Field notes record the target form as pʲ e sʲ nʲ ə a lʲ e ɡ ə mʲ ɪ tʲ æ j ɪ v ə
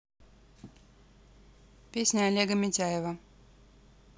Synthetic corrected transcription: pʲ e sʲ nʲ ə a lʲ e ɡ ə mʲ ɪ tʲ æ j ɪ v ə